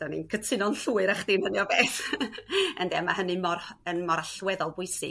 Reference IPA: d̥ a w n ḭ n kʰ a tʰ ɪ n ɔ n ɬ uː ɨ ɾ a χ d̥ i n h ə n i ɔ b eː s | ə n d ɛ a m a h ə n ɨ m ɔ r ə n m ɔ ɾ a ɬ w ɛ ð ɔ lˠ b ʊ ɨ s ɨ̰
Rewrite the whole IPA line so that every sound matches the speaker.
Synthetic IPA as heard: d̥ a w n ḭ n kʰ ə tʰ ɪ n ɔ n ɬ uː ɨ ɾ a χ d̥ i n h ə n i ɔ b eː θ | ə n d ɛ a m a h ə n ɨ m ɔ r ə n m ɔ ɾ a ɬ w ɛ ð ɔ lˠ b ʊ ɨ s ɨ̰